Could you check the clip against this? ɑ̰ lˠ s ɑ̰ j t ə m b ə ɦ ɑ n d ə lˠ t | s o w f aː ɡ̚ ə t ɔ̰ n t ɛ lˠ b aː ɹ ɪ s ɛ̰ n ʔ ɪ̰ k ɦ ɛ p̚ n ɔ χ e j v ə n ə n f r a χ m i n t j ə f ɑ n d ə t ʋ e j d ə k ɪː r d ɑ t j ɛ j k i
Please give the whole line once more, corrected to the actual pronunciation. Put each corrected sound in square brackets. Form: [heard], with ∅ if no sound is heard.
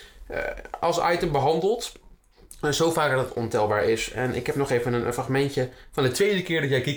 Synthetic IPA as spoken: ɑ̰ lˠ s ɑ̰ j t ə m b ə ɦ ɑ n d ə lˠ t | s o w f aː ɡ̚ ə t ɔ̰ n t ɛ lˠ b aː ɹ ɪ s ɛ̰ n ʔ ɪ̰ k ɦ ɛ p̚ n ɔ χ e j v ə n ə n f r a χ m [ɛ] n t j ə f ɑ n d ə t ʋ e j d ə k ɪː [ɹ] d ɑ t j ɛ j k i